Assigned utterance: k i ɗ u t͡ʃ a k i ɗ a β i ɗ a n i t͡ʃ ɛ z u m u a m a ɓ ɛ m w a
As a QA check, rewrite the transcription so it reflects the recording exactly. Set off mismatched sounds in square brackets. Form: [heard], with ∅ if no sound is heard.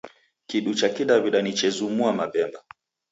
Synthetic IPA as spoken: k i ɗ u t͡ʃ a k i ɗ a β i ɗ a n i t͡ʃ ɛ z u m u a m a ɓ ɛ m [b] a